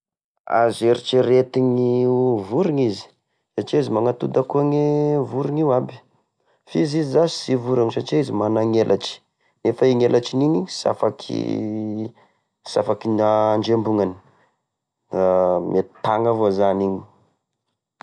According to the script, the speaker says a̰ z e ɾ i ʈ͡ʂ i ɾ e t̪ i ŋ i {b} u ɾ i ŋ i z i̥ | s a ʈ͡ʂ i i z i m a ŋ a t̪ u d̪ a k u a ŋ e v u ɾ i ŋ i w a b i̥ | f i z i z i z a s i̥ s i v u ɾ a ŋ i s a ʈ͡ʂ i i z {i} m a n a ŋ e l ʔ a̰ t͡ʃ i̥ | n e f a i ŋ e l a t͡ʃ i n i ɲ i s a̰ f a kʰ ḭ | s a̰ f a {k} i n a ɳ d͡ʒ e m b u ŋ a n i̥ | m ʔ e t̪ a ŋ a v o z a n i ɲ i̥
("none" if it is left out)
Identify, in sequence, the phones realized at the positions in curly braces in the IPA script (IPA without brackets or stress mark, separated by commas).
v, i, k